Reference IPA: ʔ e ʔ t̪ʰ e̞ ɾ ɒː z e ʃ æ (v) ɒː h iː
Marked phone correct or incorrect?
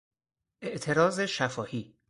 incorrect